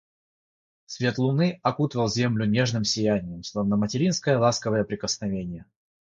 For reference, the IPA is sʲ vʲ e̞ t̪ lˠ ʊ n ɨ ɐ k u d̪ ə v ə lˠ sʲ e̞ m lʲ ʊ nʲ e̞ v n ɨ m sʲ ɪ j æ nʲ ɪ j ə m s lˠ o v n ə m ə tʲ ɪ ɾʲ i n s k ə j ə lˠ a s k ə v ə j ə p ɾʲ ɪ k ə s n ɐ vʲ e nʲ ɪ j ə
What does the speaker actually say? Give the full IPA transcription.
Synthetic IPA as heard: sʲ vʲ e̞ t̪ lˠ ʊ n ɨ ɐ k u t̪ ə v ə lˠ zʲ e̞ m lʲ ʊ nʲ e̞ ʐ n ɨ m sʲ ɪ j æ nʲ ɪ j ə m s lˠ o v n ə m ə tʲ ɪ ɾʲ i n s k ə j ə lˠ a s k ə v ə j ə p ɾʲ ɪ k ə s n ɐ vʲ e nʲ ɪ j ə